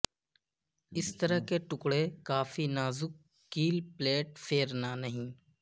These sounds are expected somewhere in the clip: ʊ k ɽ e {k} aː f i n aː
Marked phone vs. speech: correct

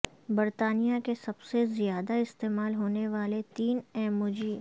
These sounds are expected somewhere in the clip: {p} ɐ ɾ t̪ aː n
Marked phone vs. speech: incorrect: b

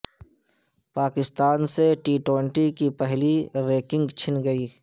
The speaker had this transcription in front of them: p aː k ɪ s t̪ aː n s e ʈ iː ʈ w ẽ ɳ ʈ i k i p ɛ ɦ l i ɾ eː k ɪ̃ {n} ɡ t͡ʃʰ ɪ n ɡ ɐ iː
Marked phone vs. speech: incorrect: ŋ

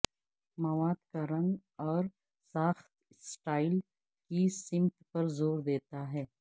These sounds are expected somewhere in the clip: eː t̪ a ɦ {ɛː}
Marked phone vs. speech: correct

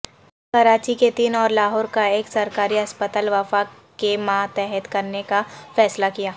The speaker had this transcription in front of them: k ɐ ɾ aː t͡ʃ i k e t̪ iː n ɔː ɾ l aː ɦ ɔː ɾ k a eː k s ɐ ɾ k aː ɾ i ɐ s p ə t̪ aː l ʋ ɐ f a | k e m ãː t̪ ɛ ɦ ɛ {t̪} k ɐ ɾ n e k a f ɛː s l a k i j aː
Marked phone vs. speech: correct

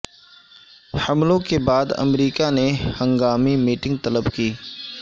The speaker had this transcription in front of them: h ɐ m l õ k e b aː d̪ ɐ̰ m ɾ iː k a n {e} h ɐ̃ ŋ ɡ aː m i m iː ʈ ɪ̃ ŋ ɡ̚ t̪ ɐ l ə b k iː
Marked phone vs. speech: correct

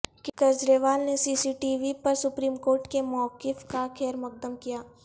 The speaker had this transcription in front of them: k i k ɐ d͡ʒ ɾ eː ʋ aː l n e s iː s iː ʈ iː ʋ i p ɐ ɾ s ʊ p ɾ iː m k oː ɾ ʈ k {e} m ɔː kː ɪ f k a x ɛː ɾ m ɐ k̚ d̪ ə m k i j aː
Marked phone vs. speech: correct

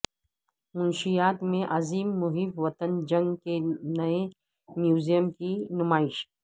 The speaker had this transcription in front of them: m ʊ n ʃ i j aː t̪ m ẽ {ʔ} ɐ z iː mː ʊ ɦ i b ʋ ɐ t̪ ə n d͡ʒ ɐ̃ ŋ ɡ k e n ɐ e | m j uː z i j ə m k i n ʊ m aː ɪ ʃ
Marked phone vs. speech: correct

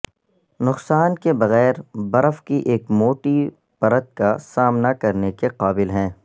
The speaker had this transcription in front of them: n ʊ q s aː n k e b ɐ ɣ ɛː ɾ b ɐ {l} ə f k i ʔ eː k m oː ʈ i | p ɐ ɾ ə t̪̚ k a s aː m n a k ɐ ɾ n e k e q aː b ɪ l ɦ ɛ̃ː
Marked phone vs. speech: incorrect: ɾ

